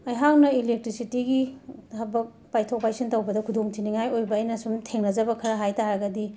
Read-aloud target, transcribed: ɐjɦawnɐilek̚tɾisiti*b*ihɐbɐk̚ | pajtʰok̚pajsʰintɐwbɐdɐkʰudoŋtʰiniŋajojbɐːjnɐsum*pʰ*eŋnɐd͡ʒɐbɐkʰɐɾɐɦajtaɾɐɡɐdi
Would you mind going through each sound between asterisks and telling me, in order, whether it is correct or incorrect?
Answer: incorrect: ɡ, incorrect: tʰ

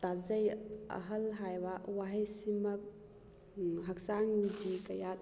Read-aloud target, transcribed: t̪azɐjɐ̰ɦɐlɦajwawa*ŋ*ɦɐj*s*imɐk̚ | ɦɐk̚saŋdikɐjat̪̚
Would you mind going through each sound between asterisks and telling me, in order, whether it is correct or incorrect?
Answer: incorrect: none, correct

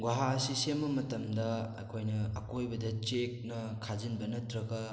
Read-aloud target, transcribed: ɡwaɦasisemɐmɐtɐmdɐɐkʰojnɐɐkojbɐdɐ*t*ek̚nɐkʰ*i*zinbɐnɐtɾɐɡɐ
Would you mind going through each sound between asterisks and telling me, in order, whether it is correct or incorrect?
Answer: incorrect: t͡ʃ, incorrect: a

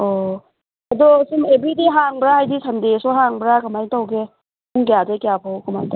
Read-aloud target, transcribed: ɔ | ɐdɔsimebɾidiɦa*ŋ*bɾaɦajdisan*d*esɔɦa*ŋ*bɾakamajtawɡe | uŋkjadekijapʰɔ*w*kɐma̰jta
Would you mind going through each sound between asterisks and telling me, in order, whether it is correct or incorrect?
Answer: correct, correct, correct, correct

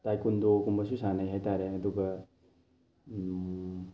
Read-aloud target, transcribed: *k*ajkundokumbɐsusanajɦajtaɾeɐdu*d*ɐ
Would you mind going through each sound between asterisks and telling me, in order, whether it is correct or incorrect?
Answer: incorrect: t, incorrect: ɡ

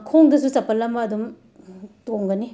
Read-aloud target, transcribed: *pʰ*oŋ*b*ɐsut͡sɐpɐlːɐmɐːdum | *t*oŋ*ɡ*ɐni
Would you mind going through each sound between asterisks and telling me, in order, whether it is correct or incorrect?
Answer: incorrect: kʰ, incorrect: d, correct, correct

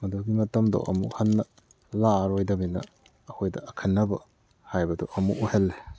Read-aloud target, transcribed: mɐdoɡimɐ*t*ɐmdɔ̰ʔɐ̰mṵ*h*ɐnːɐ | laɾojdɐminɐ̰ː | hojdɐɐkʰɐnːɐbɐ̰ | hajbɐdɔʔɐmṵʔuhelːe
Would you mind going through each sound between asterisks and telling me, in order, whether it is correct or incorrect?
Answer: correct, correct

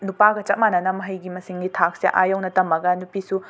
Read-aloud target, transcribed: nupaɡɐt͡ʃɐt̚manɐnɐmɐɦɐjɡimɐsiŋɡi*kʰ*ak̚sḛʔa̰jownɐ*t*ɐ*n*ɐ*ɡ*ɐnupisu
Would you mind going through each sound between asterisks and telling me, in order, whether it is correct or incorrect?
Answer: incorrect: tʰ, correct, incorrect: m, correct

